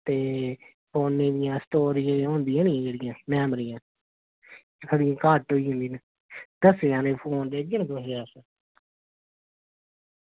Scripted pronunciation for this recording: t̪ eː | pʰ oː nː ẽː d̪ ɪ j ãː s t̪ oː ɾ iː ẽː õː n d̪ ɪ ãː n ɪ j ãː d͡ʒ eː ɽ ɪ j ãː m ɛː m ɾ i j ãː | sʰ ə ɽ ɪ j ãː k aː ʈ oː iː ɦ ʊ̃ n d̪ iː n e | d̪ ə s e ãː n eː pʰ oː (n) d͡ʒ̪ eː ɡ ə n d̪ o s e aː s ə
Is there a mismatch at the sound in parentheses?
no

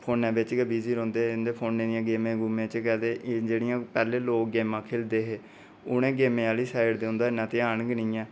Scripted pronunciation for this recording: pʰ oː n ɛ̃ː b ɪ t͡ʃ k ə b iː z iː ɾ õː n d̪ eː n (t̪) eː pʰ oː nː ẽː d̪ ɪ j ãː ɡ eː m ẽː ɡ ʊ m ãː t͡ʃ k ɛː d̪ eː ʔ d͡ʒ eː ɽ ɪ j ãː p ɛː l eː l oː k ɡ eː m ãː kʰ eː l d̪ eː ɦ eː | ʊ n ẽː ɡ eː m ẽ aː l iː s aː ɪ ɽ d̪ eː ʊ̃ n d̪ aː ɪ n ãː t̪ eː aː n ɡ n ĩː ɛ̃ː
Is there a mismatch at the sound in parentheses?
yes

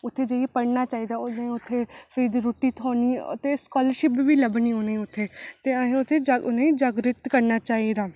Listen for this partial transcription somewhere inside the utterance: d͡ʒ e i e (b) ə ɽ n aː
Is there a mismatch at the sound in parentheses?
yes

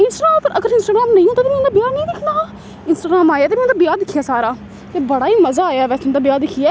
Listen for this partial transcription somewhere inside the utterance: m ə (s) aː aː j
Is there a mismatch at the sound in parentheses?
yes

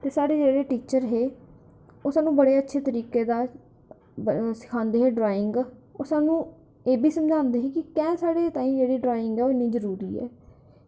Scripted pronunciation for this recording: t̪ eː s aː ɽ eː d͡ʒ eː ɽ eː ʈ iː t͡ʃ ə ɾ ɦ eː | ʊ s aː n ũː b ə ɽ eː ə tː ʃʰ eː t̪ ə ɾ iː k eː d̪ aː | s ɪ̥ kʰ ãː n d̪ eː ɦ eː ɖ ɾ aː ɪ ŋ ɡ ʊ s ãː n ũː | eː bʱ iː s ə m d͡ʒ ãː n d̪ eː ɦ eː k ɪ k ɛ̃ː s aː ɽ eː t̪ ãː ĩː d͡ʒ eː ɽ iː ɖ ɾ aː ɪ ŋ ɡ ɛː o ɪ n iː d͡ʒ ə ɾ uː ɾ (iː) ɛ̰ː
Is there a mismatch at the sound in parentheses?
no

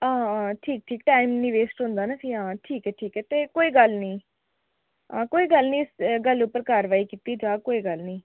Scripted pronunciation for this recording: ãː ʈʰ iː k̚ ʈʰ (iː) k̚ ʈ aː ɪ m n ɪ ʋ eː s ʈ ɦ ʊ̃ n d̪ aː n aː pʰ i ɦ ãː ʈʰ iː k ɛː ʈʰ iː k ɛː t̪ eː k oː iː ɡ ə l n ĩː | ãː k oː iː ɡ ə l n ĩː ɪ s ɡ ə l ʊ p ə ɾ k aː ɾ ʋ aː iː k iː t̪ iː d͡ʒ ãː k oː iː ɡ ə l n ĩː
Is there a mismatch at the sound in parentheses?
no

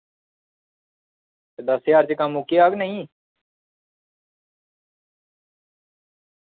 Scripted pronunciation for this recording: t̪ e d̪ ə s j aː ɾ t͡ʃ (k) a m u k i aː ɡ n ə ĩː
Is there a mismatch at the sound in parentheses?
no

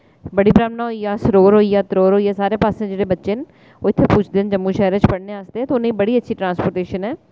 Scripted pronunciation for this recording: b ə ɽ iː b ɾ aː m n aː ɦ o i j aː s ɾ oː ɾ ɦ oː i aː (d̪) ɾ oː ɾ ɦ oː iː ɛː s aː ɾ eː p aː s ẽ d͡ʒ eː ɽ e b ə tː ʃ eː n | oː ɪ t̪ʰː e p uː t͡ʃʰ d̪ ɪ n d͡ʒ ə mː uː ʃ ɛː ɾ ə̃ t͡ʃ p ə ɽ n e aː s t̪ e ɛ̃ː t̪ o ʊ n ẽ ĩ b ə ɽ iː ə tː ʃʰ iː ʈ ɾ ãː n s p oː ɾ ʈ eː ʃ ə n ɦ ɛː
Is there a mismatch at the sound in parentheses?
yes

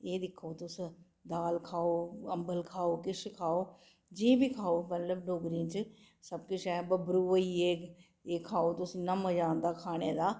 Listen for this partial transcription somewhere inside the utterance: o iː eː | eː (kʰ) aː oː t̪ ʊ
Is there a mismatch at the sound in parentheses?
no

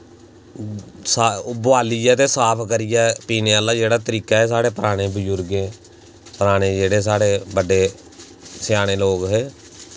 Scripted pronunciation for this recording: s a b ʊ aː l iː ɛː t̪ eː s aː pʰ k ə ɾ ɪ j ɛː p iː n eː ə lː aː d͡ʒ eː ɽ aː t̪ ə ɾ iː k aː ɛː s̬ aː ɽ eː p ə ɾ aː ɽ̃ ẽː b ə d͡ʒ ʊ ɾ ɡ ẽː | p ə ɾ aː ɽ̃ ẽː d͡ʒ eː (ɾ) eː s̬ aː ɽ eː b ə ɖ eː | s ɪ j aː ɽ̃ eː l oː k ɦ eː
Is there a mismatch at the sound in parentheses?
yes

